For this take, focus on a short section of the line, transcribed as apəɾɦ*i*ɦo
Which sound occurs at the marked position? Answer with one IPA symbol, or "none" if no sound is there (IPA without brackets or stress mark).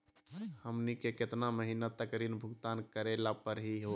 i